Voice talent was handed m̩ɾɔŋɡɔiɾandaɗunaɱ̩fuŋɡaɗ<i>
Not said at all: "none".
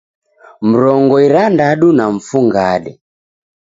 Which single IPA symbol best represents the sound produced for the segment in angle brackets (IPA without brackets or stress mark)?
ɛ